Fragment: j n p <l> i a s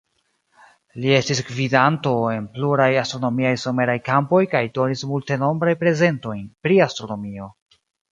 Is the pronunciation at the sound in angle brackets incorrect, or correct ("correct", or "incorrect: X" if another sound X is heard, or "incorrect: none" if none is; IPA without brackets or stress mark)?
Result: incorrect: ɾ